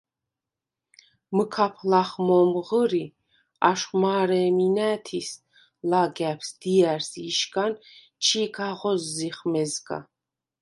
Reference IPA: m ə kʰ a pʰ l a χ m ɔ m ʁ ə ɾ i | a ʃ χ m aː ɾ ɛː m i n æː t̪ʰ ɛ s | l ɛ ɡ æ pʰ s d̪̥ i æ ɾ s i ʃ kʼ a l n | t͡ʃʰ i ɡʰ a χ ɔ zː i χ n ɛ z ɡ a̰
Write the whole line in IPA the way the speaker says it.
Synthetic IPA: m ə kʰ a pʰ l a χ m ɔ m ʁ ə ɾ i | a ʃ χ m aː ɾ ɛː m i n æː t̪ʰ i s | l a ɡ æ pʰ s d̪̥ i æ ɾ s i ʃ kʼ a n | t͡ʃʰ i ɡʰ a ʁ ɔ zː i χ m ɛ z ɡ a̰